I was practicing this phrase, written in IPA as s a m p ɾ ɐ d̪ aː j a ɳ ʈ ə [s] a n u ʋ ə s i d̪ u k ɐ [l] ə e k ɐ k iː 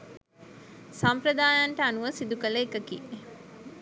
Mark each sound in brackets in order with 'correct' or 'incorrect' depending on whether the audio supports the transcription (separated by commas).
incorrect, correct